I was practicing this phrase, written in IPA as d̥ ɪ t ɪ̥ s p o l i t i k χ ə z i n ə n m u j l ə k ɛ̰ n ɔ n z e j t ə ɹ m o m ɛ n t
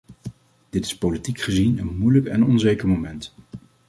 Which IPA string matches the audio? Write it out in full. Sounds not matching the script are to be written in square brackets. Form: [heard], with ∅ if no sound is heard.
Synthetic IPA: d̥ ɪ t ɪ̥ s p o l i t i k χ ə z i n ə n m u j l ə k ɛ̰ n ɔ n z e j [k] ə ɹ m o m ɛ n t

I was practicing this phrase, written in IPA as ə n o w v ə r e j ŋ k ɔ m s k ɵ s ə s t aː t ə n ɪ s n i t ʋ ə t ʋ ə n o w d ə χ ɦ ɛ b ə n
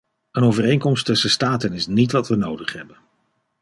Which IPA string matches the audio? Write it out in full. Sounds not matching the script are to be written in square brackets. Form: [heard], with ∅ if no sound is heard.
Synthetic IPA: ə n o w v ə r e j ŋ k ɔ m s [t] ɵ s ə s t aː t ə n ɪ s n i t ʋ [ɑ] t ʋ ə n o w d ə χ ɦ ɛ b ə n

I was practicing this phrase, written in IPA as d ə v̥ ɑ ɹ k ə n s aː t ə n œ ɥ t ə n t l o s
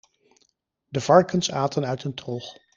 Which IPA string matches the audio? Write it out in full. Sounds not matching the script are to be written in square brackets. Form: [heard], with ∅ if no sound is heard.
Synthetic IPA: d ə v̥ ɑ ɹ k ə n s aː t ə n œ ɥ t ə n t [r] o [χ]

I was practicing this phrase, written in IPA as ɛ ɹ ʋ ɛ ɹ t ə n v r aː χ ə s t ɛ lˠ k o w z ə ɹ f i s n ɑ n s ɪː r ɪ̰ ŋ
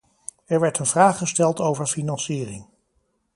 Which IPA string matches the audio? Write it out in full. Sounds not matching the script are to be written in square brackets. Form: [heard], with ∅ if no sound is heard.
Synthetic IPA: ɛ ɹ ʋ ɛ ɹ t ə n v r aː χ ə s t ɛ lˠ [t] o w [v] ə ɹ f i [∅] n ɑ n s [iː] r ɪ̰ ŋ

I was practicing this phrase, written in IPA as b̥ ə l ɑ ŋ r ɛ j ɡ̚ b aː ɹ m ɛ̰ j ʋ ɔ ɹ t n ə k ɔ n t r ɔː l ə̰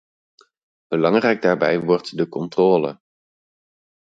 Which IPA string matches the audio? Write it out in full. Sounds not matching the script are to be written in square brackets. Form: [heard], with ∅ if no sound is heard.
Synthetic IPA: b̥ ə l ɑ ŋ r ɛ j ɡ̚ [d] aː ɹ [b] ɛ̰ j ʋ ɔ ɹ t [d] ə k ɔ n t r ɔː l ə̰

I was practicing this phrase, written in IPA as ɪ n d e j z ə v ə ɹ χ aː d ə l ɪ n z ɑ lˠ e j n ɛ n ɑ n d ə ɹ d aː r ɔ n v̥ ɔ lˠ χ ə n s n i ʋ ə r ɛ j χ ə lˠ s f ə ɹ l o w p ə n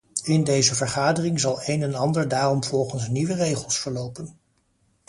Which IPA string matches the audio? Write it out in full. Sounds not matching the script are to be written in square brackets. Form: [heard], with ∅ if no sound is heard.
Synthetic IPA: ɪ n d e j z ə v ə ɹ χ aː d ə [r] ɪ [ŋ] z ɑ lˠ e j n ɛ n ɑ n d ə ɹ d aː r ɔ [m] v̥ ɔ lˠ χ ə n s n i ʋ ə r [e] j χ ə lˠ s f ə ɹ l o w p ə n

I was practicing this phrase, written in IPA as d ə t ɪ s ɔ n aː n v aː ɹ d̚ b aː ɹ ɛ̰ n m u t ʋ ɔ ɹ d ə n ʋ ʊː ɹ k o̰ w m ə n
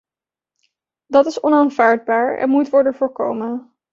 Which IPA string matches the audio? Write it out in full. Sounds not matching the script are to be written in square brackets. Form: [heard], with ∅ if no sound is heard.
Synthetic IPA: d [ɑ] t ɪ s ɔ n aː n v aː ɹ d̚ b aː ɹ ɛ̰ n m u t ʋ ɔ ɹ d ə n [v] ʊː ɹ k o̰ w m ə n

